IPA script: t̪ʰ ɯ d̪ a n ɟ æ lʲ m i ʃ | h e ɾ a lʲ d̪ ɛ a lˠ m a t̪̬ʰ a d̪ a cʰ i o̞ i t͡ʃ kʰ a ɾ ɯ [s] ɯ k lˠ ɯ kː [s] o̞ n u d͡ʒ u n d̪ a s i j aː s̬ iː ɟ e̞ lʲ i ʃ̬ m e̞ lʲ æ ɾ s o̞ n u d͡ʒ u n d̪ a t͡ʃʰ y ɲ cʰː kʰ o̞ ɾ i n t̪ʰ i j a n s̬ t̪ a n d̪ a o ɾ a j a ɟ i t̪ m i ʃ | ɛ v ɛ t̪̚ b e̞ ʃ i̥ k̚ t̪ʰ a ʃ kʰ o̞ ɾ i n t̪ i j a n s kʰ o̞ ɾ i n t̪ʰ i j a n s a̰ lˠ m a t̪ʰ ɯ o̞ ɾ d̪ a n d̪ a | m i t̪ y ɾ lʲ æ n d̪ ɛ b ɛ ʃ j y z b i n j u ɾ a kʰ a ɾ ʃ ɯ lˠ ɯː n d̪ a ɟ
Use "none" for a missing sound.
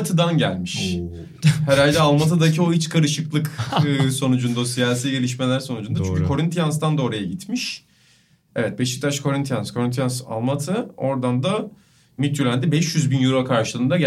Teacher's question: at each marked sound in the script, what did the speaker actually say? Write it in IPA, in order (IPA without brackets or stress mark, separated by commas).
ʃ, s